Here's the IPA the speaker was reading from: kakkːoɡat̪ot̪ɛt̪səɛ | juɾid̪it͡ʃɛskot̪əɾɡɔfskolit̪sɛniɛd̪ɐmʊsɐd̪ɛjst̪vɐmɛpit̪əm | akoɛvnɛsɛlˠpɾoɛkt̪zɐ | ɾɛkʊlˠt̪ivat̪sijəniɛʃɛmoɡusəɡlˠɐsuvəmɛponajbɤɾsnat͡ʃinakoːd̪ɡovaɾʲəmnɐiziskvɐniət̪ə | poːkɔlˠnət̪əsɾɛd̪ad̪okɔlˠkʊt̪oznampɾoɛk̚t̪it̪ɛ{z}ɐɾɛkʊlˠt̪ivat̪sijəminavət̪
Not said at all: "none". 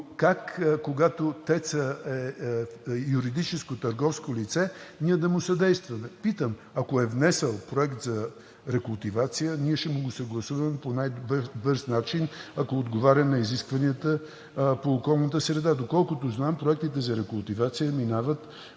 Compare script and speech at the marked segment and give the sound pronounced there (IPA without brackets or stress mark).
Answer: z